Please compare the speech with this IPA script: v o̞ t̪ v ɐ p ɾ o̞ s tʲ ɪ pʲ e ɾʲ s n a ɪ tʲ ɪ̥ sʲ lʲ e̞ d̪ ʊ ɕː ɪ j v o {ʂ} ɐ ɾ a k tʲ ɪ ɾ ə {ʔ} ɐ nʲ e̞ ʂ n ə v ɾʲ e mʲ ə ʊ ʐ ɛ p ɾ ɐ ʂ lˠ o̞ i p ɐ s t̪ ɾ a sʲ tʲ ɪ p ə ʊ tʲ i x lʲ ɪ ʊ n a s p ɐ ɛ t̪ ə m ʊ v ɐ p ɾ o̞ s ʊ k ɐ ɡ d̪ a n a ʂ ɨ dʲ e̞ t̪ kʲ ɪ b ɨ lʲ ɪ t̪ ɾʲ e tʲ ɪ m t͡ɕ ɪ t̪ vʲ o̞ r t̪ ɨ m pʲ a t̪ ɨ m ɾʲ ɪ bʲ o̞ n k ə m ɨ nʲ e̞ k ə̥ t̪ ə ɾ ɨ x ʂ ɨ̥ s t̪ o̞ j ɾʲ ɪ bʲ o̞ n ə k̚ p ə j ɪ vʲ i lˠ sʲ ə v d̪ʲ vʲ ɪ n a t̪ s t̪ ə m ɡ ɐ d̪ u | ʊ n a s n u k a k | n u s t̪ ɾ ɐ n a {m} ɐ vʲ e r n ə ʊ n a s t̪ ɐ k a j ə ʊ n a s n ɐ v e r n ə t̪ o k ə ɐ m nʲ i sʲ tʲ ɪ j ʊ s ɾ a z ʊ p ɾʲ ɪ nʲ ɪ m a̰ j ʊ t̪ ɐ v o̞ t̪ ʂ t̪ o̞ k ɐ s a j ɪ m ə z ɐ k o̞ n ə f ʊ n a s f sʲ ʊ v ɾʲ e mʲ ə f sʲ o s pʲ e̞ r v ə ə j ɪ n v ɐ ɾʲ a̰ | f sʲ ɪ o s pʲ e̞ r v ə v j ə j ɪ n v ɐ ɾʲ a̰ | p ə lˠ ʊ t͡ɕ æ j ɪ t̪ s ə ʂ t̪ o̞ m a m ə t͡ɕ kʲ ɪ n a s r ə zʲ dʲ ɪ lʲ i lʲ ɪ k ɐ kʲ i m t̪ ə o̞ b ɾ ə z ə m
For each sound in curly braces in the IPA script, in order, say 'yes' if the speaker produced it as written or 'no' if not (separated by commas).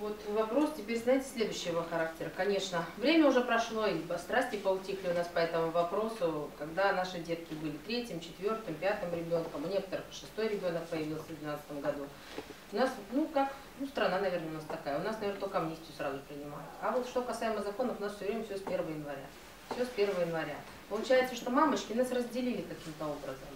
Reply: no, no, no